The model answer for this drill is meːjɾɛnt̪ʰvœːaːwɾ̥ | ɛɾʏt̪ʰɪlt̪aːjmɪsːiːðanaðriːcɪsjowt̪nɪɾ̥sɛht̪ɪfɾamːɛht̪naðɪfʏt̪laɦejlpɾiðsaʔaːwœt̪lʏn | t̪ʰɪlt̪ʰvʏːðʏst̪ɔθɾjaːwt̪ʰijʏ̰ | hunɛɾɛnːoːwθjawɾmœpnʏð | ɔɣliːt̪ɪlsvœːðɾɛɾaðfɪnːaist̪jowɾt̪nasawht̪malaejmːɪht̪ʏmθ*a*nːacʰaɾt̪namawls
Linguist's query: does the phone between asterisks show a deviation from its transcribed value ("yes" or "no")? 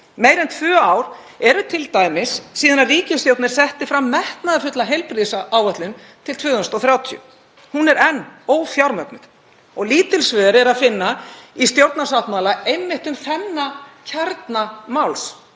yes